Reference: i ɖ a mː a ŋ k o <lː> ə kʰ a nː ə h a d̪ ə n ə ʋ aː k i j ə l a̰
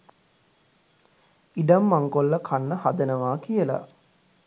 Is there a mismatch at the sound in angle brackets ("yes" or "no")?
no